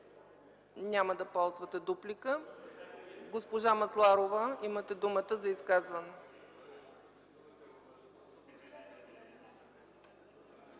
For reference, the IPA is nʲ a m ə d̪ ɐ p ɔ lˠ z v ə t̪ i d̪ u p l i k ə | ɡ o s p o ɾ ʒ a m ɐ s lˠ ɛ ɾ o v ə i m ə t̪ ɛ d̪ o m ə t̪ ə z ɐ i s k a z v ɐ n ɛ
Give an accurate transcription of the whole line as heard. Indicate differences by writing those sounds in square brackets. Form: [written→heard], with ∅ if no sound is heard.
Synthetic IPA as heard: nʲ a m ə d̪ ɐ p ɔ lˠ z v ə t̪ [i→ɛ] d̪ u p l i k ə | ɡ o s p o [ɾ→∅] ʒ a m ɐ s lˠ [ɛ→a] ɾ o v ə i m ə t̪ ɛ d̪ [o→u] m ə t̪ ə z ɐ i s k a z v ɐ n ɛ